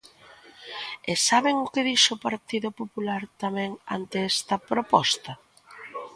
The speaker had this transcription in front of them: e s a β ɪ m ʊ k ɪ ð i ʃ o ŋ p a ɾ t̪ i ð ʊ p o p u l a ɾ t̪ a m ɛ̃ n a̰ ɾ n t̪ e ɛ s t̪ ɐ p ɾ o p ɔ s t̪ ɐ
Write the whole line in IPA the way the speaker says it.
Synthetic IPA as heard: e s a β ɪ ŋ ʊ k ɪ ð i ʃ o p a ɾ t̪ i ð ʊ p o p u l a ɾ t̪ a m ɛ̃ ŋ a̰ n t̪ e ɛ s t̪ ɐ p ɾ o p ɔ s t̪ ɐ

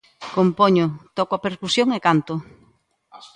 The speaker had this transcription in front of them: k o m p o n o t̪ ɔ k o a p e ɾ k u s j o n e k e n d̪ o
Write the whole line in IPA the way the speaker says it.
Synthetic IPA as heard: k o m p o ɲ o t̪ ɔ k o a p e ɾ k u s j o ŋ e k a n t̪ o

